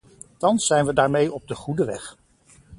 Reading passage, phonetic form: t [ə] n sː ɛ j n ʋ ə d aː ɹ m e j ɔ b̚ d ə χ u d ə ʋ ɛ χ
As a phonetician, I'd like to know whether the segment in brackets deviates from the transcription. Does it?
yes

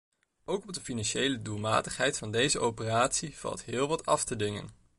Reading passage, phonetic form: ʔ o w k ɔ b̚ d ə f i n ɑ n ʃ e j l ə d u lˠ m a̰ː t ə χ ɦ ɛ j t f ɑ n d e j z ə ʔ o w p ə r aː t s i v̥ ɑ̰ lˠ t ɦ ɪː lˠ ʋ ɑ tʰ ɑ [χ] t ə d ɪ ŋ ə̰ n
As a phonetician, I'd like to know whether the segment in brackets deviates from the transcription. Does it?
yes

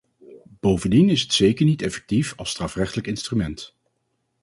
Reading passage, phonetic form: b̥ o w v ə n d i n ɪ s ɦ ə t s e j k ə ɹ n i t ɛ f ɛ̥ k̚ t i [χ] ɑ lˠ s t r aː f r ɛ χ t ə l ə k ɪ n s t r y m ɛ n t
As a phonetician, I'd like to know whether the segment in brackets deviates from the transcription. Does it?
yes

